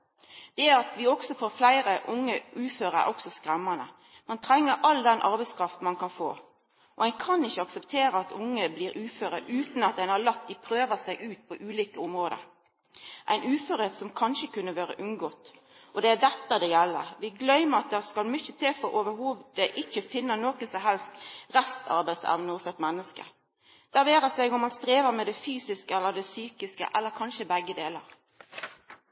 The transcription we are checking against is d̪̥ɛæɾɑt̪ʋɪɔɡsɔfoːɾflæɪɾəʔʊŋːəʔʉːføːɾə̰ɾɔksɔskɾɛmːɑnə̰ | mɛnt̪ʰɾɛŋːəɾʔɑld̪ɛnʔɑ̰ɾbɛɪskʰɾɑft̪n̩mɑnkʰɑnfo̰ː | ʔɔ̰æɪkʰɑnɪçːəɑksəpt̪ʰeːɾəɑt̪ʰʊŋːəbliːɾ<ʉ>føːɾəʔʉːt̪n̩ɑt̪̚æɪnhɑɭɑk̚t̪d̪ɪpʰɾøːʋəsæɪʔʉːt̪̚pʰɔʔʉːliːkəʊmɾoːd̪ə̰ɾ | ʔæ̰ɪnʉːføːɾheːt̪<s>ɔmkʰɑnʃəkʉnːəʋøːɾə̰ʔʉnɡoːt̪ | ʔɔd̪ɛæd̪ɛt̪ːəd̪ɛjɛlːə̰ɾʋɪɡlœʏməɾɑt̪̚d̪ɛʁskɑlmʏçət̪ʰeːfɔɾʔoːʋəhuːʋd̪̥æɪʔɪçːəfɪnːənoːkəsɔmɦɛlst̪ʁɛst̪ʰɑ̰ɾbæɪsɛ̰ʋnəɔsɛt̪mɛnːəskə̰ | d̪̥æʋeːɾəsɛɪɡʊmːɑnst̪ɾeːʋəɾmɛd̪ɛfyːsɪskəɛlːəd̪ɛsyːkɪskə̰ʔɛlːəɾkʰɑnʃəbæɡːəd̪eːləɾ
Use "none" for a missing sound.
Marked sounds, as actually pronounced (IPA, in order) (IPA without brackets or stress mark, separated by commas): ʉː, s